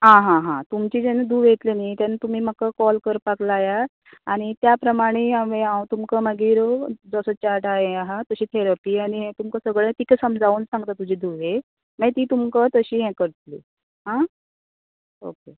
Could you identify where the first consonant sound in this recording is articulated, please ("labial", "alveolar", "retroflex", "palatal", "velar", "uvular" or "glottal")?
glottal